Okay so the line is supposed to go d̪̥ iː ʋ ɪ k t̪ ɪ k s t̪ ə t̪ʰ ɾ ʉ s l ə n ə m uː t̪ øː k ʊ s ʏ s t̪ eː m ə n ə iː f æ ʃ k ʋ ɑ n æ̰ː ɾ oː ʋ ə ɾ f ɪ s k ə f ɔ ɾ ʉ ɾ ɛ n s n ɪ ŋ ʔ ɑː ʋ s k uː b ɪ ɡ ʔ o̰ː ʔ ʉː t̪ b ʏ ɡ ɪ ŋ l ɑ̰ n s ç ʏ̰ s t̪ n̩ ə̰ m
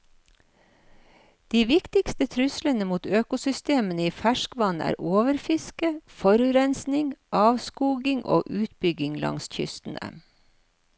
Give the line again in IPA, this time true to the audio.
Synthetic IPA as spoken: d̪̥ iː ʋ ɪ k t̪ ɪ k s t̪ ə t̪ʰ ɾ ʉ s l ə n ə m uː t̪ øː k ʊ s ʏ s t̪ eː m ə n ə iː f æ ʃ k ʋ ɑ n æ̰ː ɾ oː ʋ ə ɾ f ɪ s k ə f ɔ ɾ ʉ ɾ ɛ n s n ɪ ŋ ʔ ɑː ʋ s k uː ɡ ɪ ŋ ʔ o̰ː ʔ ʉː t̪ b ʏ ɡ ɪ ŋ l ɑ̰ ŋ s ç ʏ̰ s t̪ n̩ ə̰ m